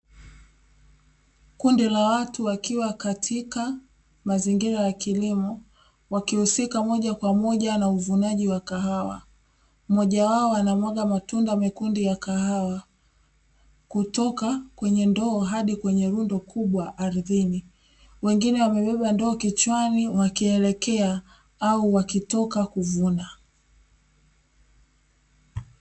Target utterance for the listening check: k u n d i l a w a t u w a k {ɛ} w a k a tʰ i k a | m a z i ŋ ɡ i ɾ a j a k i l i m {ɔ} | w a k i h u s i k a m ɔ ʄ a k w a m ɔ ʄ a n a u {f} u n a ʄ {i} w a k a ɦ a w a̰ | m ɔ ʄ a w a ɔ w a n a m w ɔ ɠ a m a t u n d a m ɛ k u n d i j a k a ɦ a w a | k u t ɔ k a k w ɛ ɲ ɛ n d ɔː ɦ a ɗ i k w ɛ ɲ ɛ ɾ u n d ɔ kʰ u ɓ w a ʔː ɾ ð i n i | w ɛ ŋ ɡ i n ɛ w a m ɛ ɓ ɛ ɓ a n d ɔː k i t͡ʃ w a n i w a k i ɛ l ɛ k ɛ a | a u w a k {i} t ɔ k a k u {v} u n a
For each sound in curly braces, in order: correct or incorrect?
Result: incorrect: i, correct, incorrect: v, correct, correct, correct

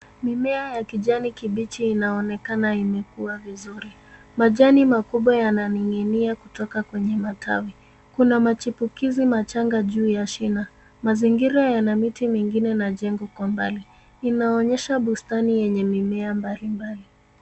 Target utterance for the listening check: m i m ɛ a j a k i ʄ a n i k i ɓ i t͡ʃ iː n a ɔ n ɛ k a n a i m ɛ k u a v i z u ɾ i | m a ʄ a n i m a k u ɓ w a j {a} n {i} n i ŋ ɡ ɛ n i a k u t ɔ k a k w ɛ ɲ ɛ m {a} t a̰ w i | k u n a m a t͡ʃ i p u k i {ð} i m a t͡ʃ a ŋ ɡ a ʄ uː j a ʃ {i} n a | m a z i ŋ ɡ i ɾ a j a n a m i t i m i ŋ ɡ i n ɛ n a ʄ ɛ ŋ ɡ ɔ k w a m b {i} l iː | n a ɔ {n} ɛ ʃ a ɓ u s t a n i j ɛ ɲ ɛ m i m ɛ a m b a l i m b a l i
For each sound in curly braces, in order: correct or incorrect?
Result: correct, incorrect: a, correct, incorrect: z, correct, incorrect: a, incorrect: ɲ

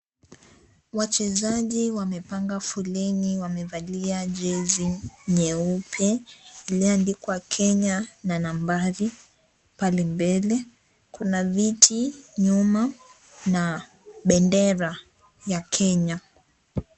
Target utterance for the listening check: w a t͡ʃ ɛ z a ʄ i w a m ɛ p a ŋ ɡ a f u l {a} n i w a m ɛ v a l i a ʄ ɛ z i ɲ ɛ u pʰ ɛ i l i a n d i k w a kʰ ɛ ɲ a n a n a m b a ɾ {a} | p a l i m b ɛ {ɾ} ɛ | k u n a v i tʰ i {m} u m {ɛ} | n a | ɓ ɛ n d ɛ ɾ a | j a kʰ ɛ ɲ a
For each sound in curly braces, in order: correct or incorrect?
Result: incorrect: ɛ, incorrect: i, incorrect: l, incorrect: ɲ, incorrect: a

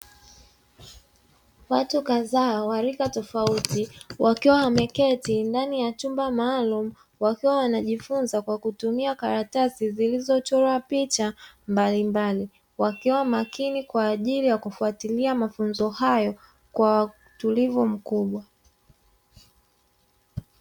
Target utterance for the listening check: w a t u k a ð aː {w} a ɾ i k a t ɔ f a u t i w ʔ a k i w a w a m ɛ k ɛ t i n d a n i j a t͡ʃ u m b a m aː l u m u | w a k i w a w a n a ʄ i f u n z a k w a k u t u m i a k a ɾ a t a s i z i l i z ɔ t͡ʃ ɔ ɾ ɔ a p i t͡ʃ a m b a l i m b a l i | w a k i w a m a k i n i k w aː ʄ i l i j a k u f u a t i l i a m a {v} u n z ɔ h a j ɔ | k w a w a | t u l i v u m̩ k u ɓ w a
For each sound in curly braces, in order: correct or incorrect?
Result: correct, incorrect: f

